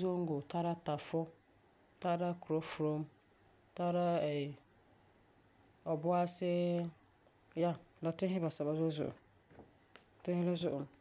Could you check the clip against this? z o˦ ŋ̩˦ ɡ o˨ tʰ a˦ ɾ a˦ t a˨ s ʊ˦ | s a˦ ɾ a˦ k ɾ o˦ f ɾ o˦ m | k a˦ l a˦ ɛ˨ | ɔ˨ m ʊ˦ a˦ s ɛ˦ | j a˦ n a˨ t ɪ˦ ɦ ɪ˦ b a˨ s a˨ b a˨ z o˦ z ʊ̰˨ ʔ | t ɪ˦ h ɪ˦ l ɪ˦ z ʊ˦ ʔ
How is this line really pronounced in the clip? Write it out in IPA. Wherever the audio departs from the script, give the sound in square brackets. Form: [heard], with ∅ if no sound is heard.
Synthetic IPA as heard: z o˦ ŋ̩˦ ɡ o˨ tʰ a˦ ɾ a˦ t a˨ [f] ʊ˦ | [t] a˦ ɾ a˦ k ɾ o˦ f ɾ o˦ m | [t] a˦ [ɾ] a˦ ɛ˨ | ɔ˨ [b] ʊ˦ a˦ s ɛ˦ | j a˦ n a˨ t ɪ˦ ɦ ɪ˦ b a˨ s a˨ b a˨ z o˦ z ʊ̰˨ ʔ | t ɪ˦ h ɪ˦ l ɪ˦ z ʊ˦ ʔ